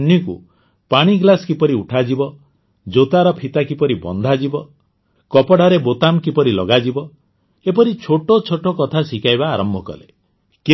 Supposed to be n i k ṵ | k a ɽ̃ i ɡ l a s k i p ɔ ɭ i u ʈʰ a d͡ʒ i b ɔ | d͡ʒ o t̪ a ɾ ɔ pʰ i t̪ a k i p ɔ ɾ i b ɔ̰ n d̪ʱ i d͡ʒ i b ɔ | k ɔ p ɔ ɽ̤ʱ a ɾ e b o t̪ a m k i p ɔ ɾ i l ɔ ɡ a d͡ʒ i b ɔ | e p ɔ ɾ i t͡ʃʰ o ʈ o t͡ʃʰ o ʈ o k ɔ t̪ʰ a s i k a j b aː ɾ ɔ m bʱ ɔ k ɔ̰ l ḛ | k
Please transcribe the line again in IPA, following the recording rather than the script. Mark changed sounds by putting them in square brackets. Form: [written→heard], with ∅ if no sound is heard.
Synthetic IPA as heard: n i k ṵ | [k→p] a ɽ̃ i ɡ l a s k i p ɔ [ɭ→ɾ] i u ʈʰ a d͡ʒ i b ɔ | d͡ʒ o t̪ a ɾ ɔ pʰ i t̪ a k i p ɔ ɾ i b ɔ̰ n d̪ʱ [i→a] d͡ʒ i b ɔ | k ɔ p ɔ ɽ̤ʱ a ɾ e b o t̪ a m k i p ɔ ɾ i l ɔ ɡ a d͡ʒ i b ɔ | e p ɔ ɾ i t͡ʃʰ o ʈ o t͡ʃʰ o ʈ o k ɔ t̪ʰ a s i k a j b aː ɾ ɔ m bʱ ɔ k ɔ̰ l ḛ | k